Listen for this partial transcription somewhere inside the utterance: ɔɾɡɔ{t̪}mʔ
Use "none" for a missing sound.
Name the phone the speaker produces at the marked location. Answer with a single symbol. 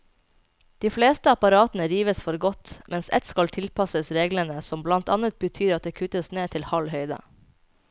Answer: t̪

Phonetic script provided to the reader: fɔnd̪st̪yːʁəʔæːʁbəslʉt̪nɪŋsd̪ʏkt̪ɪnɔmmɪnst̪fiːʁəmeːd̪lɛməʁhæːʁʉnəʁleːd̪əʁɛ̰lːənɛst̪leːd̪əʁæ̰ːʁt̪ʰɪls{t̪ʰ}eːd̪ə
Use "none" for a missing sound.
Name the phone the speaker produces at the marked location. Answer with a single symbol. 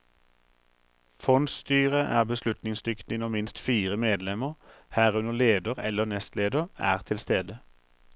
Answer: t̪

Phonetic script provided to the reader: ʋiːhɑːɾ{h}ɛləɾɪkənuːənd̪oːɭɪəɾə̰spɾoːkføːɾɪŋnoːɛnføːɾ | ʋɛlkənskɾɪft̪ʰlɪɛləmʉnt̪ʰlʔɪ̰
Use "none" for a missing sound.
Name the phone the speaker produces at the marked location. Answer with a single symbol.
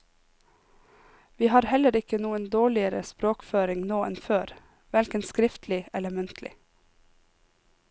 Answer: h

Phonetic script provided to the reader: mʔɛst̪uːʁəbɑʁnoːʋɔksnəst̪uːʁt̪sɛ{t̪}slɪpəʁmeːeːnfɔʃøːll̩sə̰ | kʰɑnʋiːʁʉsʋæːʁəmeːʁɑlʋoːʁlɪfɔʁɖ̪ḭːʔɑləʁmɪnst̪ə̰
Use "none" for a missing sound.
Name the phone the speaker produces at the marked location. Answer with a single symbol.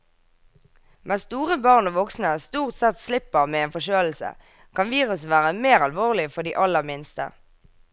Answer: t̪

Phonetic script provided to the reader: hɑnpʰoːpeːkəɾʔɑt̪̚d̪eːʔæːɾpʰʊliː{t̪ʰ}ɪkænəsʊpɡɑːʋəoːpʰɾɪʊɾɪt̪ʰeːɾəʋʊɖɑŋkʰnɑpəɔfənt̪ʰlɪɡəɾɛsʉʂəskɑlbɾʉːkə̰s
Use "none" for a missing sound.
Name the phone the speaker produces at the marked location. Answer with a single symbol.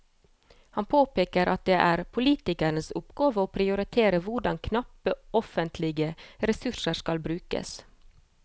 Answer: t̪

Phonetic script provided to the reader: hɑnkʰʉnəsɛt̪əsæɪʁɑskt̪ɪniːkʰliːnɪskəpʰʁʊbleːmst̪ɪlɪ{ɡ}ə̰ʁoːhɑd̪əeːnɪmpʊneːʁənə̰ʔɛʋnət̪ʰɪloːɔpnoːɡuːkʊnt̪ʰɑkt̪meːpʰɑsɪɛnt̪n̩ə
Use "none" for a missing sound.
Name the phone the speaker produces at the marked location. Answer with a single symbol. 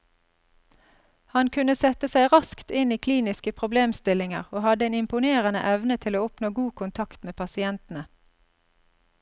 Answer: ŋ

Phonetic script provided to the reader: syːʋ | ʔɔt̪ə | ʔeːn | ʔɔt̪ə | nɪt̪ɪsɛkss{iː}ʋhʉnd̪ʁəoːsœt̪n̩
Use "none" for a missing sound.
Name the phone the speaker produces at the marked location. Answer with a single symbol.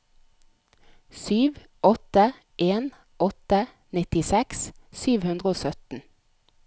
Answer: yː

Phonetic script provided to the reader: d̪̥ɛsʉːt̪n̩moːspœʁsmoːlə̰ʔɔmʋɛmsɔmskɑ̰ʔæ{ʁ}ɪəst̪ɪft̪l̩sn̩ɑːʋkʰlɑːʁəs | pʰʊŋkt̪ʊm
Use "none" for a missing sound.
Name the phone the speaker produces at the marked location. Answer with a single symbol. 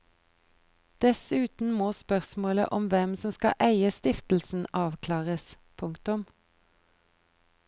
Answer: none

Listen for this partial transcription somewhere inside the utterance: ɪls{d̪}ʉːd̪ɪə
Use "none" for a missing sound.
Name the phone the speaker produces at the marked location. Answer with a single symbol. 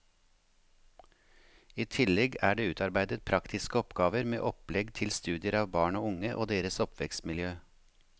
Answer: t̪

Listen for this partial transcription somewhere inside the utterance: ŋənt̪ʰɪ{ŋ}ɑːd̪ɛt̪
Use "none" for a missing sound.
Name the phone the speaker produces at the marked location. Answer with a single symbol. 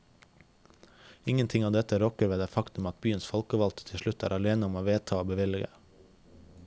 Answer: ŋ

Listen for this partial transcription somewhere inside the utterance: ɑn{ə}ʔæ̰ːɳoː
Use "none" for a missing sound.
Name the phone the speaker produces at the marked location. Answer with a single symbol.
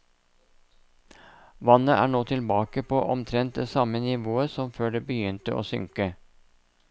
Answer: ə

